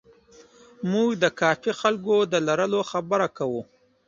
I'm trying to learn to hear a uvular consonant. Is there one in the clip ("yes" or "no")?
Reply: no